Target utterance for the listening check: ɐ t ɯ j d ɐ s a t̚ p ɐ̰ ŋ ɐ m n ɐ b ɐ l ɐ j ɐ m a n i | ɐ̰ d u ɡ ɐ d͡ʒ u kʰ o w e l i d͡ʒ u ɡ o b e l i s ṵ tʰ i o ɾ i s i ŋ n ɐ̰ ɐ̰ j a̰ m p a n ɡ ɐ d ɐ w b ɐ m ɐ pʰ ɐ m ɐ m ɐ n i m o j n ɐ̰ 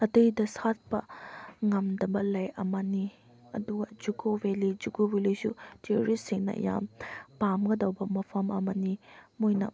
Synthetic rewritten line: ɐ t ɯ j d ɐ s a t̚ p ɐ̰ ŋ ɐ m d ɐ b ɐ l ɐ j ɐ m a n i | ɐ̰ d u ɡ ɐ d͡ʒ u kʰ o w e l i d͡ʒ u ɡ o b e l i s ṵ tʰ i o ɾ i s i ŋ n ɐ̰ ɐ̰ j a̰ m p a m ɡ ɐ d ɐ w b ɐ m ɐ pʰ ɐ m ɐ m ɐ n i m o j n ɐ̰